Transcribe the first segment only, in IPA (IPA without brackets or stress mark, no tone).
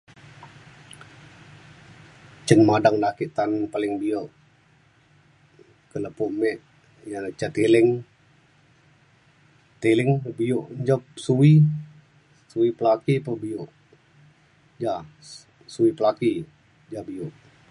t͡ʃ